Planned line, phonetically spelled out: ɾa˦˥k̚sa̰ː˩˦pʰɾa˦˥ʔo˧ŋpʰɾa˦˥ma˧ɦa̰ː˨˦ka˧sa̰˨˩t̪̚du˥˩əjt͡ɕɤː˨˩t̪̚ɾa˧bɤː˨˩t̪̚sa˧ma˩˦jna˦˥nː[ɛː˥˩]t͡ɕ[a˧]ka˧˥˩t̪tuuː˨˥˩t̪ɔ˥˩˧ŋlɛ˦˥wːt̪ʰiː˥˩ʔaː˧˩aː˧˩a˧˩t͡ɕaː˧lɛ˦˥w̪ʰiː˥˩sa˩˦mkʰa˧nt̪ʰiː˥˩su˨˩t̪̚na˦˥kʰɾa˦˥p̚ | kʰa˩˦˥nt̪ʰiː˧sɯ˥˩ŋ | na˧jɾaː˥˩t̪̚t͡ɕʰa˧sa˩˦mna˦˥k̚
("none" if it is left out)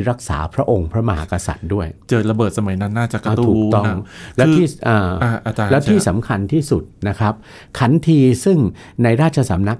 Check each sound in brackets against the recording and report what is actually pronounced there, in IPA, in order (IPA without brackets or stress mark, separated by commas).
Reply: aː˥˩, a˨˩